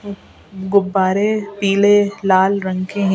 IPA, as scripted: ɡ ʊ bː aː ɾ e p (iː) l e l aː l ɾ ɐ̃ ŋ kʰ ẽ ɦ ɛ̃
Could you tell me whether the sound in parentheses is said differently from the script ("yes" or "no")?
no